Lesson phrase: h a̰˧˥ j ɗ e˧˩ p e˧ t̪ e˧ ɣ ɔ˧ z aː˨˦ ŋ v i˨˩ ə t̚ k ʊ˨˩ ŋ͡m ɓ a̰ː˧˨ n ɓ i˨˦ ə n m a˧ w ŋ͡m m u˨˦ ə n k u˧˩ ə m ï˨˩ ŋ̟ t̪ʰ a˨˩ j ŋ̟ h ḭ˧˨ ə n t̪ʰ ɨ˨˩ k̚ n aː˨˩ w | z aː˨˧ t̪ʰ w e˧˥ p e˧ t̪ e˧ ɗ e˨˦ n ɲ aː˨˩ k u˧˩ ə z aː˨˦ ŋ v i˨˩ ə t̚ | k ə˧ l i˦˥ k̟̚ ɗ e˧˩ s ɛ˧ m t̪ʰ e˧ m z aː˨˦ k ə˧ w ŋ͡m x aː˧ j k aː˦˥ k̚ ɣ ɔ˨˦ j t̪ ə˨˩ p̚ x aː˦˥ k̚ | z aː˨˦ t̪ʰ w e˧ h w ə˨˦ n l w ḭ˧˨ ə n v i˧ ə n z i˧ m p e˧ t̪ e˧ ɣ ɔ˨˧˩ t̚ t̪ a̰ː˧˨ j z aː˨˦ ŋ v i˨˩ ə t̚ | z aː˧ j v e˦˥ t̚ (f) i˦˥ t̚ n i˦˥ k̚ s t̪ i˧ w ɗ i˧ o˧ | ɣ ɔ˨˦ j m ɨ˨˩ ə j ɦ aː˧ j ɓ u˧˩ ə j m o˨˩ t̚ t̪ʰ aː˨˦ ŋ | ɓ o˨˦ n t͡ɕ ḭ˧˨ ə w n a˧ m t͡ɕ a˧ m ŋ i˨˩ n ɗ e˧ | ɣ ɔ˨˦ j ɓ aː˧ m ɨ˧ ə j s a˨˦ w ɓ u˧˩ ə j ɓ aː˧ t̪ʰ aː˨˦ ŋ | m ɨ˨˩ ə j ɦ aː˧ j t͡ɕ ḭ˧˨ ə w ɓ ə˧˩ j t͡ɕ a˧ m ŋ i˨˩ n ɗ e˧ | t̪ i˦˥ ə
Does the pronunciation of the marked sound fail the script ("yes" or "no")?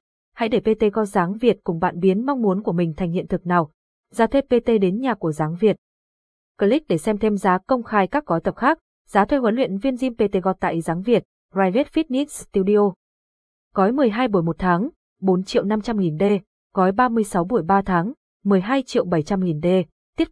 no